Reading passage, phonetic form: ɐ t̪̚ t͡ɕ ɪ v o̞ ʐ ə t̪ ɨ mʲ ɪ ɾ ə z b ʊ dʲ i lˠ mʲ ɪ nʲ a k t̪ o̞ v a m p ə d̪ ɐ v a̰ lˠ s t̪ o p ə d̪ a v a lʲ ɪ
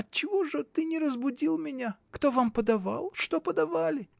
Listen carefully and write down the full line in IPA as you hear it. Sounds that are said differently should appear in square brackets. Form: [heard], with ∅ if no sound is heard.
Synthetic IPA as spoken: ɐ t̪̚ t͡ɕ ɪ v o̞ ʐ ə t̪ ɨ [nʲ] ɪ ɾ ə z b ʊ dʲ i lˠ mʲ ɪ nʲ a k t̪ o̞ v a m p ə d̪ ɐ v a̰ lˠ [ʂ] t̪ o p ə d̪ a v a lʲ ɪ